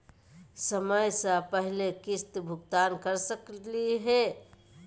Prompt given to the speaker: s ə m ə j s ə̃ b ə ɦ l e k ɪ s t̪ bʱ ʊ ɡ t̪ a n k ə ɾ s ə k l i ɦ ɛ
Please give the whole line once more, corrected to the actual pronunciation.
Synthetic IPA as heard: s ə m ə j s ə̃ p ə ɦ l e k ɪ s t̪ bʱ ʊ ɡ t̪ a n k ə ɾ s ə k l i ɦ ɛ